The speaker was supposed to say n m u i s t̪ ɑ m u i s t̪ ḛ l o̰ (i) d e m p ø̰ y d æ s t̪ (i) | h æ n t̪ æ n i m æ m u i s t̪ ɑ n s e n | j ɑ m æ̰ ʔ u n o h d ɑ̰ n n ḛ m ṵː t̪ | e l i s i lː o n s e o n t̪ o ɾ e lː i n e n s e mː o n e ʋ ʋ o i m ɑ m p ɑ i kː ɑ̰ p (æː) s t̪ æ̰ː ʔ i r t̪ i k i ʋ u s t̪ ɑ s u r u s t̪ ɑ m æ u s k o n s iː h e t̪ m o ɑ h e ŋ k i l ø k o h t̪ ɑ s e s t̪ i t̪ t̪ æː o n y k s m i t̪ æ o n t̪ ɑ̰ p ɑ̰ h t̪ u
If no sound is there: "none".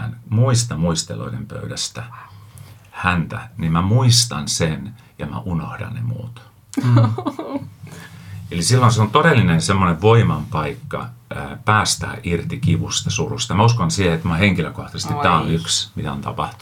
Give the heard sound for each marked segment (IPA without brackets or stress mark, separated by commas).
i, æ, æː